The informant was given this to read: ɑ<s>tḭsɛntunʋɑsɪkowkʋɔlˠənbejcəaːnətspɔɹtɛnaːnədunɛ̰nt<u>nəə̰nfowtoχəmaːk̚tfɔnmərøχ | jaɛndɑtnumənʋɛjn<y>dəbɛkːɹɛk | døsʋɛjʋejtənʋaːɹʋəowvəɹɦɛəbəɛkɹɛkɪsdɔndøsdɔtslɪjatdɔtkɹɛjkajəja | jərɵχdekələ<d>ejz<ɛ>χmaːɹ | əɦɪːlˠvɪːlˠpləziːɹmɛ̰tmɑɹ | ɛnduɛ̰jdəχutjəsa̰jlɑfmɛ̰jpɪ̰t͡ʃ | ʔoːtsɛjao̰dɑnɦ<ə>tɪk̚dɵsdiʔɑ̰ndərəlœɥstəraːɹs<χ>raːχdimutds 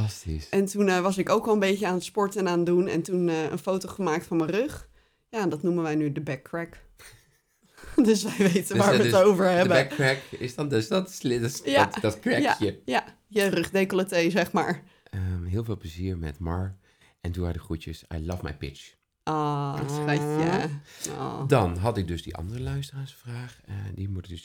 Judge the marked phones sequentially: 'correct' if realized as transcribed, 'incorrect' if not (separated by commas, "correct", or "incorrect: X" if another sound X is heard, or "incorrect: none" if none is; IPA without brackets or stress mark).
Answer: correct, correct, correct, incorrect: t, correct, incorrect: ɑ, incorrect: f